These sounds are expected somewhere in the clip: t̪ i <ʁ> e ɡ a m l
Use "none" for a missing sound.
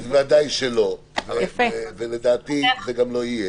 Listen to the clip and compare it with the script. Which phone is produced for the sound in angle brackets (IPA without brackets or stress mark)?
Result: z